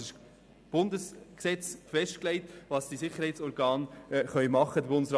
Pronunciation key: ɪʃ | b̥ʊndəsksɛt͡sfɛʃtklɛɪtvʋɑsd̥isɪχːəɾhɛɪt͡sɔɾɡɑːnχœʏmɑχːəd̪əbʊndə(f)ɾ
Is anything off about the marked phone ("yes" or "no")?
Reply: yes